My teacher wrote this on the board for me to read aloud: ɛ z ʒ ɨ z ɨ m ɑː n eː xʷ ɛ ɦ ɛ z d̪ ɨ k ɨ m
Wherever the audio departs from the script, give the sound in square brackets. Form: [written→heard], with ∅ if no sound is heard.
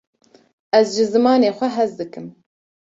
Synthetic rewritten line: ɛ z ʒ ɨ z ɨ m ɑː n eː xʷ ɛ ɦ ɛ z d̪ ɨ k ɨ m